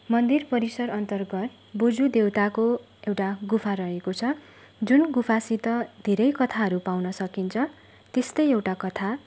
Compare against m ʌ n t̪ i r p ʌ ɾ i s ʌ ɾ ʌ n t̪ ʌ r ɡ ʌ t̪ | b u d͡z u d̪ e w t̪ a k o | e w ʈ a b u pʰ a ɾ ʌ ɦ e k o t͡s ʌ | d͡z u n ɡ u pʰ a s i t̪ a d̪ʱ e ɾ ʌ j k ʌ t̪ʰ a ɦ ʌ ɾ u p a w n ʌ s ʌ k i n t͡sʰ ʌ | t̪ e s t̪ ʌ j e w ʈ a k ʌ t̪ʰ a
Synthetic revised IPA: m ʌ n d̪ i r p ʌ ɾ i s ʌ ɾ ʌ n t̪ ʌ r ɡ ʌ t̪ | b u d͡z u d̪ e w t̪ a k o | e w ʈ a ɡ u pʰ a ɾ ʌ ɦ e k o t͡sʰ ʌ | d͡z u n ɡ u pʰ a s i t̪ ʌ d̪ʱ e ɾ ʌ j k ʌ t̪ʰ a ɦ ʌ ɾ u p a w n ʌ s ʌ k i n t͡sʰ ʌ | t̪ e s t̪ ʌ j e w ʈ a k ʌ t̪ʰ a